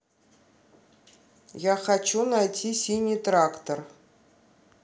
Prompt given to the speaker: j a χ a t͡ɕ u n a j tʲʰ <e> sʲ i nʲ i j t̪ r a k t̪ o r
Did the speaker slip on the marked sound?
yes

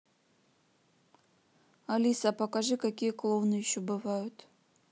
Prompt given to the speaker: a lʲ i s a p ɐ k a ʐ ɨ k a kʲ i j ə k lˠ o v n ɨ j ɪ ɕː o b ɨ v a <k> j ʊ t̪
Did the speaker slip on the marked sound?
yes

